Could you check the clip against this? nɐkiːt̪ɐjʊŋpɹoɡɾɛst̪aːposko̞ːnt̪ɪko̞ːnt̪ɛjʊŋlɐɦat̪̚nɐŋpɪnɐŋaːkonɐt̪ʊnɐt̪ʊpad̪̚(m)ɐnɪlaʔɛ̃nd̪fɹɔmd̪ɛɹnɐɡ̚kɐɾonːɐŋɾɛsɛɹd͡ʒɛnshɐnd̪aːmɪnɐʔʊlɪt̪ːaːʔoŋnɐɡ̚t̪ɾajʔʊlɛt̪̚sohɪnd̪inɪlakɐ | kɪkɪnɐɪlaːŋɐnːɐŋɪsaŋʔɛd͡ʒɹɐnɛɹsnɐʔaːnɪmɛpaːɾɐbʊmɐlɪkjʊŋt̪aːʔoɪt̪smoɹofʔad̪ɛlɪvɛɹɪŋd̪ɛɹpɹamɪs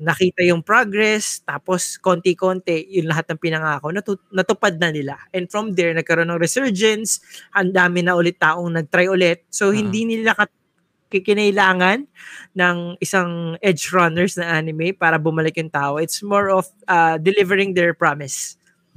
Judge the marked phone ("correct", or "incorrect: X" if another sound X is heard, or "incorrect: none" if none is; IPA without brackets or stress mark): incorrect: n